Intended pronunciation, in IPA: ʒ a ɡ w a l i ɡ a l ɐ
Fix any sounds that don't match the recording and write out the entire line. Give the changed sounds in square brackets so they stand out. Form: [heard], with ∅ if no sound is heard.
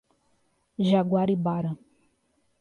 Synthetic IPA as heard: ʒ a ɡ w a [ɾ] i [b] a [ɾ] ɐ

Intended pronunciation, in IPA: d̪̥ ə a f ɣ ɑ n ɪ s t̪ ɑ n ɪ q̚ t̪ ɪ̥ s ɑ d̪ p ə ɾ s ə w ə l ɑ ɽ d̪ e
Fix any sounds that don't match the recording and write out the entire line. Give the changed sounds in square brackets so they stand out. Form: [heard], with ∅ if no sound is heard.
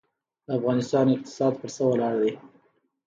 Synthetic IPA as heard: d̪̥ ə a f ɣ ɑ n ɪ s t̪ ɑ n ɪ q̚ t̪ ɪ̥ s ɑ d̪ p ə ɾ s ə w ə l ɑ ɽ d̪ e

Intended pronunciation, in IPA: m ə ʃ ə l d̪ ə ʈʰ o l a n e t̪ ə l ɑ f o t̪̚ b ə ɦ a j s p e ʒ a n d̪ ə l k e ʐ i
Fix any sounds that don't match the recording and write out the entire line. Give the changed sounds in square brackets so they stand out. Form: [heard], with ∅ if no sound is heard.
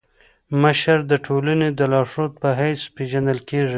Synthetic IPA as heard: m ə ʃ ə [ɾ] d̪ ə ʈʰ o l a n e [d̪] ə l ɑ [ʂ] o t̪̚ [p] ə ɦ a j s p e ʒ a n d̪ ə l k e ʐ i

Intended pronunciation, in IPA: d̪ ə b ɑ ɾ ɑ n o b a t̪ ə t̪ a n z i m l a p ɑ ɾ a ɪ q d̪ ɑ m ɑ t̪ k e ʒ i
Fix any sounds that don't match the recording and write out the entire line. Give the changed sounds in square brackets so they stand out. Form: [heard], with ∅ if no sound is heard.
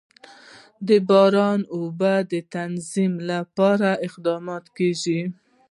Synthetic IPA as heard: d̪ ə b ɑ ɾ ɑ n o b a [d̪] ə t̪ a n z i m l a p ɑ ɾ a ɪ q d̪ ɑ m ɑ t̪ k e ʒ i

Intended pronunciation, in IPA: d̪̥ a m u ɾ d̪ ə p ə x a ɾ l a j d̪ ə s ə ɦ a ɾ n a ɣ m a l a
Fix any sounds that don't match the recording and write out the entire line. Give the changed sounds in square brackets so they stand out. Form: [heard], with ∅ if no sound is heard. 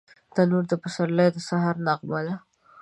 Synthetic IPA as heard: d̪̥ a [n] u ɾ d̪ ə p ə [s] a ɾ l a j d̪ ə s [a] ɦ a ɾ n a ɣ m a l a

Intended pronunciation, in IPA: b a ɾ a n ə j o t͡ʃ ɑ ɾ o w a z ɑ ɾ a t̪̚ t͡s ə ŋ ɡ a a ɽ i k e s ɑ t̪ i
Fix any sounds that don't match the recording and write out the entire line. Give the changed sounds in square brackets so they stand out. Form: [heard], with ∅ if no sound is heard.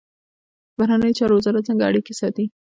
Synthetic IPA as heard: b a ɾ a n ə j o t͡ʃ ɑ ɾ o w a z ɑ ɾ a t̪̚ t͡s ə ŋ ɡ a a ɽ i k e s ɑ t̪ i

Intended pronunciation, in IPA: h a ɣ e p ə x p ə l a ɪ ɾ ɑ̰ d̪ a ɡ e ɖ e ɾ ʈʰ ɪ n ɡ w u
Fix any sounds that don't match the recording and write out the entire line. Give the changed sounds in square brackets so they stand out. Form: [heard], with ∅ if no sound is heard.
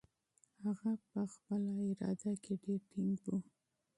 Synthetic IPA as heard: h a ɣ [a] p ə x p ə l a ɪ ɾ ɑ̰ d̪ a [k] e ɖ e ɾ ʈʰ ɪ [ŋ] ɡ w u

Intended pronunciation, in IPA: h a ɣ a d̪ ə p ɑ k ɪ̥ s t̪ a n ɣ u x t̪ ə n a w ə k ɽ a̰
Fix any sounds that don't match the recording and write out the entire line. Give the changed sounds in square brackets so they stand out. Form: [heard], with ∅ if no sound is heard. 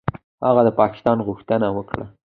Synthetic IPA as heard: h a ɣ a d̪ ə p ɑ k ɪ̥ s t̪ [ɑ] n ɣ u x t̪ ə n a w ə k ɽ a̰

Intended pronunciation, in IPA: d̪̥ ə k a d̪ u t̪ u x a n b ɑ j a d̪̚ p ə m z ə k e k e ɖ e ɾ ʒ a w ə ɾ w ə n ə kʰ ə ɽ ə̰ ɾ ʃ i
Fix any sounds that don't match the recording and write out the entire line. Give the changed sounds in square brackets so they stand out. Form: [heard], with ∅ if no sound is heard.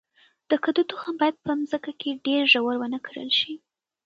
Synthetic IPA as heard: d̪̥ ə k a d̪ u t̪ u x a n b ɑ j a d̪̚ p ə m z ə k [a] k e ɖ e ɾ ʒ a w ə ɾ w ə n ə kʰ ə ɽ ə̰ [l] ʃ i

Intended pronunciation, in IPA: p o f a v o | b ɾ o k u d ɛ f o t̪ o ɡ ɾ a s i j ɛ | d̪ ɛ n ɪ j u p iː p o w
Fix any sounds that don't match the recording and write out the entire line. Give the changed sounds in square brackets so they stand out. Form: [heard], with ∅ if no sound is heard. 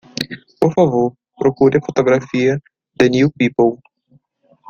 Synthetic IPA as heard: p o f a v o | [p] ɾ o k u d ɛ f o t̪ o ɡ ɾ a [f] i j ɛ | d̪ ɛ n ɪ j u p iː p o w

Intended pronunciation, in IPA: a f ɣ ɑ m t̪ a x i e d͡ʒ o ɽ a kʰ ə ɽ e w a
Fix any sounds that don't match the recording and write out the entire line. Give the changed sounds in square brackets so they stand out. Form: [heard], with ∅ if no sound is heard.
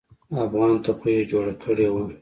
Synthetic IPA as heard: a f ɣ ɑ [n] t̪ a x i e d͡ʒ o ɽ a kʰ ə ɽ e w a

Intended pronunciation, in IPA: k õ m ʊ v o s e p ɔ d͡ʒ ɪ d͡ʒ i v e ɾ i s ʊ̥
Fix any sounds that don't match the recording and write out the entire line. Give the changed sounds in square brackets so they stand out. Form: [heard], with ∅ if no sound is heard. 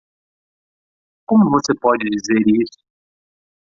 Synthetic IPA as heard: k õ m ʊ v o s e p ɔ d͡ʒ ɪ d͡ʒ i [z] e ɾ i s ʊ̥

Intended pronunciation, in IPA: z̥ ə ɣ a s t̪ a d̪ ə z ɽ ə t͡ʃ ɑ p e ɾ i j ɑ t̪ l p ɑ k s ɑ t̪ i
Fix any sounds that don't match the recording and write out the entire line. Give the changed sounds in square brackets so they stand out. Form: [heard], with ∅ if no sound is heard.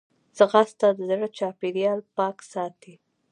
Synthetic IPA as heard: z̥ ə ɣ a s t̪ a d̪ ə z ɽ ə t͡ʃ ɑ p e ɾ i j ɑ [∅] l p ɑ k s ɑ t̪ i

